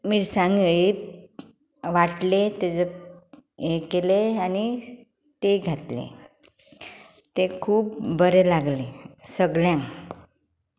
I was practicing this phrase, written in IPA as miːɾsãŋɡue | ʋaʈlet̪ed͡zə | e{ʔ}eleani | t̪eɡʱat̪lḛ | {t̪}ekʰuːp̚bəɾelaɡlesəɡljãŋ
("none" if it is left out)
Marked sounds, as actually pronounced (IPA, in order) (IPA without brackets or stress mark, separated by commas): k, t̪